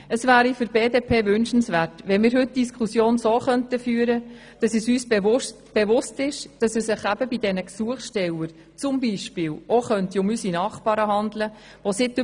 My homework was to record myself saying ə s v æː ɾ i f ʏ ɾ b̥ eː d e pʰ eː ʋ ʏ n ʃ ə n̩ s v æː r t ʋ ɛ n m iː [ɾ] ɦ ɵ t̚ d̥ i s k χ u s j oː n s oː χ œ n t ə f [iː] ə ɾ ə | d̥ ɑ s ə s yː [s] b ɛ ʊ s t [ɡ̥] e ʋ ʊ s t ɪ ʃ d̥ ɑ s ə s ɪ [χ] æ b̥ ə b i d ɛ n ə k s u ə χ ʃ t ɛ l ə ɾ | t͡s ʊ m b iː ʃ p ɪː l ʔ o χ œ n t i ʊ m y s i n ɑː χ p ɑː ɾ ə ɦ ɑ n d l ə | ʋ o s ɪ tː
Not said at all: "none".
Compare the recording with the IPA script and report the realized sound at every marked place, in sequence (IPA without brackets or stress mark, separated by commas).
ɾ, yː, s, b̥, χ